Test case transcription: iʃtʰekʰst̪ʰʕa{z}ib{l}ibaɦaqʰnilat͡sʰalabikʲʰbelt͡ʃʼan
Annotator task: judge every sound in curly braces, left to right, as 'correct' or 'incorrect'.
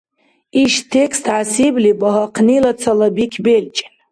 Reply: incorrect: s, correct

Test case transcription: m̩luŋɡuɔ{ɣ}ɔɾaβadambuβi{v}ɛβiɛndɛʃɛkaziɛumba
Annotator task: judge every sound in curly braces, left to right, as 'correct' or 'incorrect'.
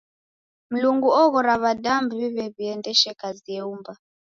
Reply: correct, incorrect: β

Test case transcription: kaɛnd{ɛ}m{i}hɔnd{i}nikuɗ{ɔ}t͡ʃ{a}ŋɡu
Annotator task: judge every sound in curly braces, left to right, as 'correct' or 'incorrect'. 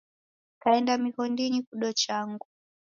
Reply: incorrect: a, correct, correct, correct, correct

